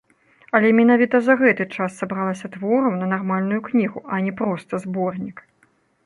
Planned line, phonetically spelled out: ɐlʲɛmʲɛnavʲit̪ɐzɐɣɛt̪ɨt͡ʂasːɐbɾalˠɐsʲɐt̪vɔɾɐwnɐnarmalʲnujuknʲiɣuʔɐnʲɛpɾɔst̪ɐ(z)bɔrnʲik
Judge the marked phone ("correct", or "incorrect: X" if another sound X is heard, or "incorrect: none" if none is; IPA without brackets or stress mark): correct